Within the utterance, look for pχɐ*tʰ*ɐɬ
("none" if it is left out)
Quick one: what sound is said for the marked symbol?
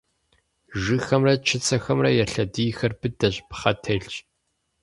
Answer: tʰ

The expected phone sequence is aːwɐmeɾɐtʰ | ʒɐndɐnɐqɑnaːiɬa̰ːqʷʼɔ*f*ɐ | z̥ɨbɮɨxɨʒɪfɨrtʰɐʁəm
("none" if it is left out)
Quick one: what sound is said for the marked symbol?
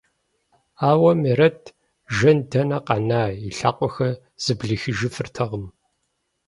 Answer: x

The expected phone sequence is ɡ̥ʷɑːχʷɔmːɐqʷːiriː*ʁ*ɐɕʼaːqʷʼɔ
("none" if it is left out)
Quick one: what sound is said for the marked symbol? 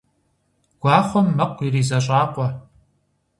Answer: z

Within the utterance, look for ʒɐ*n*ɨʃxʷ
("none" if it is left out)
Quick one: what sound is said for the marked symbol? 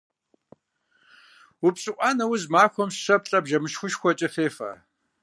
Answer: m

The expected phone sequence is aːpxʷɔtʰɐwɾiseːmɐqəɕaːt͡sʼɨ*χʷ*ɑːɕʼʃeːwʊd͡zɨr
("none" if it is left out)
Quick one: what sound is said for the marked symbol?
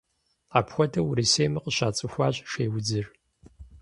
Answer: xʷ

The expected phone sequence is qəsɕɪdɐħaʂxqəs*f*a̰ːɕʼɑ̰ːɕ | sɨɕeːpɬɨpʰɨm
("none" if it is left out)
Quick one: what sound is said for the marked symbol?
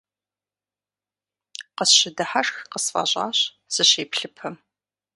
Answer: f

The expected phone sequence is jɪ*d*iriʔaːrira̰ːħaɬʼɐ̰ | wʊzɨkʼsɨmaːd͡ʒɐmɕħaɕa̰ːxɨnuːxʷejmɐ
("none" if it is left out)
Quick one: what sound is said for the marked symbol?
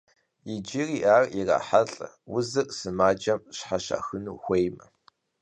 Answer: d͡ʒ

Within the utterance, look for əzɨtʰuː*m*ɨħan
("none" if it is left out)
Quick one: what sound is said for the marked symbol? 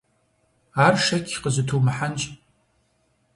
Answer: m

